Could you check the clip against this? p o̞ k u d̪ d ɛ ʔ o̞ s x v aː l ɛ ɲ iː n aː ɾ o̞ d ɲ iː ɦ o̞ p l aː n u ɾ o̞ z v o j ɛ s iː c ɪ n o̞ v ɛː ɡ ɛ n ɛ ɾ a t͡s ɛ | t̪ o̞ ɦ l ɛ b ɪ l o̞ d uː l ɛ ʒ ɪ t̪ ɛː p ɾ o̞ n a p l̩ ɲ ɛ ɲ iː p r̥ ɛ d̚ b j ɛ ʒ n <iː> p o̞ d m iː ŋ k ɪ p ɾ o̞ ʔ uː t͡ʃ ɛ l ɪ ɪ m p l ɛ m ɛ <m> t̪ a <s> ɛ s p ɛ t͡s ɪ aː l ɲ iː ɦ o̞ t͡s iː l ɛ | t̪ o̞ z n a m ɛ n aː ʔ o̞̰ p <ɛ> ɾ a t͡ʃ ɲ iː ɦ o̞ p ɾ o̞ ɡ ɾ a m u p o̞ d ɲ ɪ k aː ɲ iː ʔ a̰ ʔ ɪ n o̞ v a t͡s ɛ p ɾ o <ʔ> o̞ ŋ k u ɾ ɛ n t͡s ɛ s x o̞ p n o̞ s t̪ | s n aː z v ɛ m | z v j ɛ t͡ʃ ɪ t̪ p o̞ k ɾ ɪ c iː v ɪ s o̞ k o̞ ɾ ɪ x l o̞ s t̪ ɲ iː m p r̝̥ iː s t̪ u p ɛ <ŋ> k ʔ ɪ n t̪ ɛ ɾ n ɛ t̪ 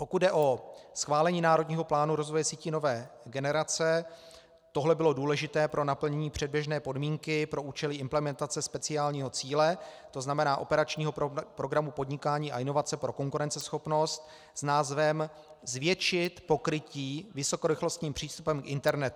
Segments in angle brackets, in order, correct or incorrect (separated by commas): incorrect, incorrect, incorrect, correct, incorrect, incorrect